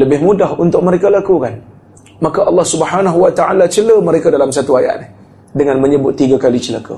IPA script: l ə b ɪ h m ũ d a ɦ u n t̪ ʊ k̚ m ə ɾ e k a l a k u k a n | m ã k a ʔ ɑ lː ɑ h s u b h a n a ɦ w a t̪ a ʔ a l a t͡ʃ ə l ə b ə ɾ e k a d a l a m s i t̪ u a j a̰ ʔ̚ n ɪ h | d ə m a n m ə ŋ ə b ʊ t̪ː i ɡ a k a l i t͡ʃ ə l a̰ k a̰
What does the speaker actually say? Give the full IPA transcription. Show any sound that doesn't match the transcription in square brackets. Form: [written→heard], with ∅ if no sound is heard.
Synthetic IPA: l ə b ɪ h m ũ d a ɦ u n t̪ ʊ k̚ m ə ɾ e k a l a k u k a n | m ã k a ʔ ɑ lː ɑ h s u b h a n a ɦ w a t̪ a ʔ a l a t͡ʃ ə l ə [b→m] ə ɾ e k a d a l a m s [i→a] t̪ u a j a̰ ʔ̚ n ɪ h | d ə [m→ŋ] a n m ə [ŋ→ɲ] ə b ʊ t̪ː i ɡ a k a l i t͡ʃ ə l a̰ k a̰